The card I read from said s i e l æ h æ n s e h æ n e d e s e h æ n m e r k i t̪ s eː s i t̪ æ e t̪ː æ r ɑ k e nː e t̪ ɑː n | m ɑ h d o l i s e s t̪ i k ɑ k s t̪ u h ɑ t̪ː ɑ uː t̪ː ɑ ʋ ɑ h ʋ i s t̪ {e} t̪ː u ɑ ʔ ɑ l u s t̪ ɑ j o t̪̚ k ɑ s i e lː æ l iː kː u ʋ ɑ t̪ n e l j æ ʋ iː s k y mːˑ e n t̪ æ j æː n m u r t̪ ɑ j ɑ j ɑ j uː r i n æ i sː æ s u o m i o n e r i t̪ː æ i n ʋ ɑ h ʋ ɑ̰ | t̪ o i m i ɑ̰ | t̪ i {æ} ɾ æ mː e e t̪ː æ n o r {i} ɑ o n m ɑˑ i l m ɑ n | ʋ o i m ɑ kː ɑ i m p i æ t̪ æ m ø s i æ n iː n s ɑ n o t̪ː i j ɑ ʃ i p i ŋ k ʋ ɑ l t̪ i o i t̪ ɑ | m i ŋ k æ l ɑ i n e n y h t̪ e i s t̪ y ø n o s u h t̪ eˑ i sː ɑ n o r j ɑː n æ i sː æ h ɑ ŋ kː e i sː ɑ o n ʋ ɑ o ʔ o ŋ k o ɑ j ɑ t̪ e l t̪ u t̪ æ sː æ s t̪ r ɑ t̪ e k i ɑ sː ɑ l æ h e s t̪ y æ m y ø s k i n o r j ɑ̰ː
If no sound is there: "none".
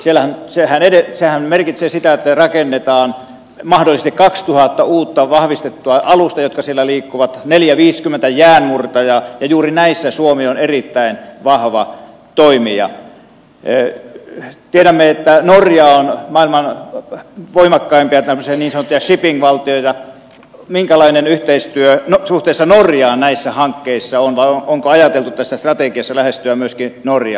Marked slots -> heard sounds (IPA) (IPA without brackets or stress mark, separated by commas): e, e, j